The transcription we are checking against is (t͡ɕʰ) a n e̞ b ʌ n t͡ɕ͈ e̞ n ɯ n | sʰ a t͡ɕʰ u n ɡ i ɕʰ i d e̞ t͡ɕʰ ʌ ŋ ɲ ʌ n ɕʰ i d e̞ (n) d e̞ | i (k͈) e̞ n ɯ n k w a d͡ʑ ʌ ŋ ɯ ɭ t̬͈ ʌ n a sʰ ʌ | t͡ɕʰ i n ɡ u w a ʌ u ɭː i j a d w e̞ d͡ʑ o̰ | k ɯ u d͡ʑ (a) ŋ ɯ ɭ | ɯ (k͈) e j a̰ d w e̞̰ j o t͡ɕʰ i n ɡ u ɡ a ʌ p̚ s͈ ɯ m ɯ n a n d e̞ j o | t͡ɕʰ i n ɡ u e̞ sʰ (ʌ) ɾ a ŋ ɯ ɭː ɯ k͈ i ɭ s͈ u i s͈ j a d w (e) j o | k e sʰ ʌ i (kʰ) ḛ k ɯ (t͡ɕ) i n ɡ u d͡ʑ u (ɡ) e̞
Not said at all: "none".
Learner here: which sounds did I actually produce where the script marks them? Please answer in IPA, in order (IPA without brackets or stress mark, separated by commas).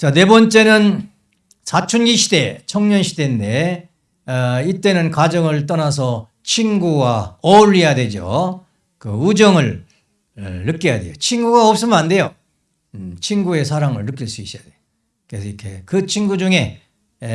t͡ɕ, n, t͈, ʌ, k͈, a, e, kʰ, t͡ɕʰ, ŋ